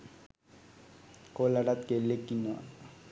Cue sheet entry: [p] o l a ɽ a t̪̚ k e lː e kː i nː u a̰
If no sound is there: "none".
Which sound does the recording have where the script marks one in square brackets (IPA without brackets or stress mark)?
k